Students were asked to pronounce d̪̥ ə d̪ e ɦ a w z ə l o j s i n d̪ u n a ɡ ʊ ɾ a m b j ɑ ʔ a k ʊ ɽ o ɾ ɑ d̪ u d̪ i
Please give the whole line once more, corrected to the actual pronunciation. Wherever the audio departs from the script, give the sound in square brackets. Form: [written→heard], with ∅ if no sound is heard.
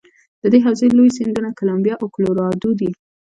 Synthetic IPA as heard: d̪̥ ə d̪ e ɦ a w z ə l o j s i n d̪ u n a [ɡ→k] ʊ [ɾ→l] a m b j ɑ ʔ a k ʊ [ɽ→l] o ɾ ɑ d̪ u d̪ i

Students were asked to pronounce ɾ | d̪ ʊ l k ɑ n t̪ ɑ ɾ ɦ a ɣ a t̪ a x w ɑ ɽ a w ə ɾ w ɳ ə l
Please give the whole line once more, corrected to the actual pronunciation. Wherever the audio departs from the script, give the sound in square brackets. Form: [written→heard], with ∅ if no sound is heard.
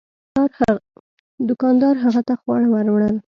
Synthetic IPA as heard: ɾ | d̪ ʊ [l→∅] k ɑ n [t̪→d̪] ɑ ɾ ɦ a ɣ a t̪ a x w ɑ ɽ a w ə ɾ w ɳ ə l

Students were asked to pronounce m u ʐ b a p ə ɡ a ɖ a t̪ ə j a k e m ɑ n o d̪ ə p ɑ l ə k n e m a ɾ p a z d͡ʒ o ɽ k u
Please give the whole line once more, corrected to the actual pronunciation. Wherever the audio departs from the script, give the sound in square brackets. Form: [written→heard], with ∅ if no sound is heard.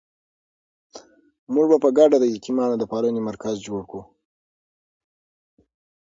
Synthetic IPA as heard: m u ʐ b a p ə ɡ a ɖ a [t̪→d̪] ə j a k [e→i] m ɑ n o d̪ ə p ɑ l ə [k→∅] n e m a ɾ [p→k] a z d͡ʒ o ɽ k u

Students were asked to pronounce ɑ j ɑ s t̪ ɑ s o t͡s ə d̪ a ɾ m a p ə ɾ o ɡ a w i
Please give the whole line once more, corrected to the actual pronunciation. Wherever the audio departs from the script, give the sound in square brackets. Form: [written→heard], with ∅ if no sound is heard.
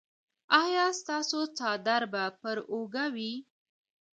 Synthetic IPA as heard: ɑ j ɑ s t̪ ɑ s o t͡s [ə→ɑ] d̪ a ɾ [m→b] a p ə ɾ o ɡ a w i

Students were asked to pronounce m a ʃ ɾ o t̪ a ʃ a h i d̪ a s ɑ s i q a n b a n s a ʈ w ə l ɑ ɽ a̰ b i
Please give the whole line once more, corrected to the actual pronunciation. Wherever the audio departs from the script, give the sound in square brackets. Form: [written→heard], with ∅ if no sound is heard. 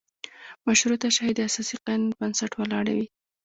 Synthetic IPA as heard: m a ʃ ɾ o t̪ a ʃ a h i d̪ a s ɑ s i q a n b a n s a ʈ w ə l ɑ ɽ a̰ [b→w] i

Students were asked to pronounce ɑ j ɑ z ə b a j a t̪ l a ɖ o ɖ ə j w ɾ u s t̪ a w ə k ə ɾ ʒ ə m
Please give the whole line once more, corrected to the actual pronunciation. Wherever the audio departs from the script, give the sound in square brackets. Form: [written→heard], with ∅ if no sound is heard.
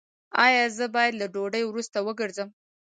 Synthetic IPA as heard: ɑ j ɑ z ə b [a→ɑ] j a [t̪→d̪] l a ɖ o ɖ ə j w ɾ u s t̪ a w ə [k→ɡ] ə ɾ [ʒ→z] ə m

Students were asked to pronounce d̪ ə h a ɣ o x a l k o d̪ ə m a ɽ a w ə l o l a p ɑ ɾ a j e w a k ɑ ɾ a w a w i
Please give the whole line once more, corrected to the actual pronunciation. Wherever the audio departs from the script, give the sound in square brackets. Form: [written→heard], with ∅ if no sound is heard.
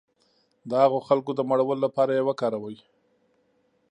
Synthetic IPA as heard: d̪ ə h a ɣ o x a l k o d̪ ə m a ɽ a w ə l o l a p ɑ ɾ a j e w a k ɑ ɾ a w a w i

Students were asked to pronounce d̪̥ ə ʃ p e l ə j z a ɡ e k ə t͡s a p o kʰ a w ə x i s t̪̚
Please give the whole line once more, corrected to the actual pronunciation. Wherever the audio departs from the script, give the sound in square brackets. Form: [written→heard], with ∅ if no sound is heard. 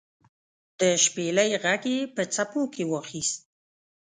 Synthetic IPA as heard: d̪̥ ə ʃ p e l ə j [z→ɣ] a ɡ e [k→p] ə t͡s a p o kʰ [a→e] w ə x i s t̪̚

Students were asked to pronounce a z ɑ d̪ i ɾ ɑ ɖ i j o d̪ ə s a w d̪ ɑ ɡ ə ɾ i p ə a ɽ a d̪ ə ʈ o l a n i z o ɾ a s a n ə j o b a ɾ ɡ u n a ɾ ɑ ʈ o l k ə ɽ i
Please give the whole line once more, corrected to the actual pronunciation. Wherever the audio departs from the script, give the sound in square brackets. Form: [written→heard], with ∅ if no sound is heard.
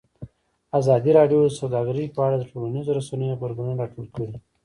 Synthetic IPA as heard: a z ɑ d̪ i ɾ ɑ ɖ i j o d̪ ə s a w d̪ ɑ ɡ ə ɾ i p ə a ɽ a d̪ ə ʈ o l a n i z o ɾ a s a n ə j o b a ɾ ɡ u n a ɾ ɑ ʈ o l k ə ɽ i

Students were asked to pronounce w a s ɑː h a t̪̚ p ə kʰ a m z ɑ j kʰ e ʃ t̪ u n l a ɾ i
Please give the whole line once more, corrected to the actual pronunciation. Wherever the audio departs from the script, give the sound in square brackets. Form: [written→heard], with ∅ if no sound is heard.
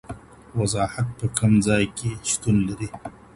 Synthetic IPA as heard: w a [s→z] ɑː h a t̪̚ p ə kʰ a m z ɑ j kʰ e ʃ t̪ u n l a ɾ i

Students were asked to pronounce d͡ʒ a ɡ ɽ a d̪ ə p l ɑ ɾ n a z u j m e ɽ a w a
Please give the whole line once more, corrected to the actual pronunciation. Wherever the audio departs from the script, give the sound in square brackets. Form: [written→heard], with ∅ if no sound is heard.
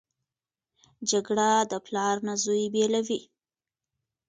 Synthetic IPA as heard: d͡ʒ a ɡ ɽ a d̪ ə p l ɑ ɾ n a z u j [m→b] e [ɽ→l] a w [a→i]

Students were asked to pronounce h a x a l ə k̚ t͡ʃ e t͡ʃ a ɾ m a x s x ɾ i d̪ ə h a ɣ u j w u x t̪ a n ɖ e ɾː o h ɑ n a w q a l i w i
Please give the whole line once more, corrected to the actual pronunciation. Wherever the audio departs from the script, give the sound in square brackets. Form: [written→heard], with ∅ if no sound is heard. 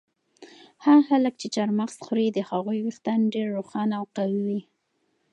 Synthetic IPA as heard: h a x a l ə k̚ t͡ʃ e t͡ʃ a ɾ m a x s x ɾ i d̪ ə h a ɣ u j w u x t̪ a n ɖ e ɾː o [h→x] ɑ n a w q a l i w i

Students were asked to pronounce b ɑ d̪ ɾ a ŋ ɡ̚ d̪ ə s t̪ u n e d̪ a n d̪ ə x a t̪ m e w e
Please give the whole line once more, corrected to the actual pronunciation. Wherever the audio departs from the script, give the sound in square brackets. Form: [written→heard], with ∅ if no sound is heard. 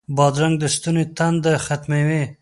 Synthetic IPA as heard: b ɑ d̪ ɾ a ŋ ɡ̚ d̪ ə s t̪ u n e [d̪→t̪] a n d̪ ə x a t̪ m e w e

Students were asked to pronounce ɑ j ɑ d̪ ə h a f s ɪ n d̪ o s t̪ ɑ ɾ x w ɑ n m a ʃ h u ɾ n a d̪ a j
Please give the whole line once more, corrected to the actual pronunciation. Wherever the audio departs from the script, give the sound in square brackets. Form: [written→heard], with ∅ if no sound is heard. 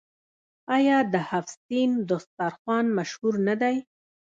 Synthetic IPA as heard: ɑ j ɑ d̪ ə h a f s [ɪ→i] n d̪ o s t̪ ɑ ɾ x w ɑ n m a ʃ h u ɾ n a d̪ a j

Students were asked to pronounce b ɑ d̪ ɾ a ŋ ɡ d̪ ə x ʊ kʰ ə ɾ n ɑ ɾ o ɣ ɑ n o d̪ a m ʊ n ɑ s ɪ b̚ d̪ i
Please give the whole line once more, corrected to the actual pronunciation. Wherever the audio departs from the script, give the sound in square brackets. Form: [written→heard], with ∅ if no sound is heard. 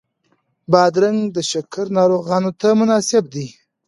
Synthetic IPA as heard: b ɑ d̪ ɾ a ŋ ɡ d̪ ə [x→ʃ] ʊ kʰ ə ɾ n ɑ ɾ o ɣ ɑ n o [d̪→t̪] a m ʊ n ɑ s ɪ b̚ d̪ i

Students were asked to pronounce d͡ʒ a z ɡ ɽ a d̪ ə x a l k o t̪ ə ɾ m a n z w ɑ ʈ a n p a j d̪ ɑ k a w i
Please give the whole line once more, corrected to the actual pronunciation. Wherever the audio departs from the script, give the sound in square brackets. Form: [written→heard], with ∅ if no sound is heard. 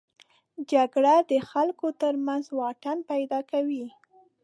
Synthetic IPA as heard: d͡ʒ a [z→∅] ɡ ɽ a d̪ ə x a l k o t̪ ə ɾ m a n z w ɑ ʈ a n p a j d̪ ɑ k a w i

